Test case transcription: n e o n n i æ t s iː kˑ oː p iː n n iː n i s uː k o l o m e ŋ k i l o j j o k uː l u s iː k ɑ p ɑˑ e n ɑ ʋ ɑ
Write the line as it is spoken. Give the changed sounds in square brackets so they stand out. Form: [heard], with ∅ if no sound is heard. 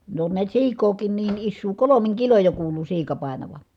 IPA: n e o n n i æ t s iː kˑ oː [k] iː n n iː n i [sː] uː k o l o m [i] ŋ k i l o j j o k uː l u s iː k ɑ p ɑˑ e n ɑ ʋ ɑ